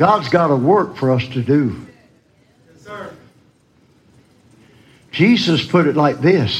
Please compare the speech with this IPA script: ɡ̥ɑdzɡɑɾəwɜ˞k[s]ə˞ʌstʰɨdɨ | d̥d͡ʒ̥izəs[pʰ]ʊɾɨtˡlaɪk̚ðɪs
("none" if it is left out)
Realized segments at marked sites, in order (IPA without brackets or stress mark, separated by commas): f, pʰ